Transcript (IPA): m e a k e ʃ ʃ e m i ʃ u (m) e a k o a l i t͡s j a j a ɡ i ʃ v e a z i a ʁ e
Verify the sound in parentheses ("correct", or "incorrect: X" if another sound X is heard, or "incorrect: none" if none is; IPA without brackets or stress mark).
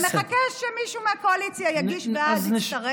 correct